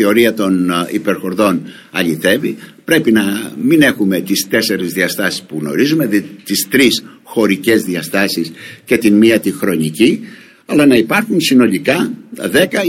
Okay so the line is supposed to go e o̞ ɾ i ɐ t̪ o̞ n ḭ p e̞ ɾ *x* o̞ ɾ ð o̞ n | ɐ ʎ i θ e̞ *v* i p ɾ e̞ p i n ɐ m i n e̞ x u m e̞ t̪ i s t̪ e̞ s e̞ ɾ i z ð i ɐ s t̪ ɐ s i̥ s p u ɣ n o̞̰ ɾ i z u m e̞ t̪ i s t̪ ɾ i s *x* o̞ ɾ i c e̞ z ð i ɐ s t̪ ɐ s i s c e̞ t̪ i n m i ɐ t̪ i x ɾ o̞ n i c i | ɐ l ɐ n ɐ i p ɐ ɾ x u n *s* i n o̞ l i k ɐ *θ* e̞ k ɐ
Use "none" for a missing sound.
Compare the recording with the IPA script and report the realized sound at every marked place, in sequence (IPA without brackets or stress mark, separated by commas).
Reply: x, v, x, s, ð